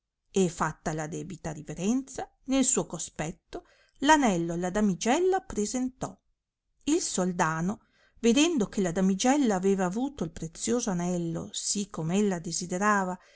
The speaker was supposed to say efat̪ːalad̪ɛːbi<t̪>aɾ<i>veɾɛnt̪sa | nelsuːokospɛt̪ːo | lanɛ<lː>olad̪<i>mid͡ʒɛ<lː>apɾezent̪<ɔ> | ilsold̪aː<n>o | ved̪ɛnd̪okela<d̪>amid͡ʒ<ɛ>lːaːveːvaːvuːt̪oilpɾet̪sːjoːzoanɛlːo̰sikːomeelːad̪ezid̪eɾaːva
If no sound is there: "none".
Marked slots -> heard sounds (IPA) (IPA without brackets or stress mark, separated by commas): t̪, i, lː, a, lː, ɔ, n, d̪, ɛ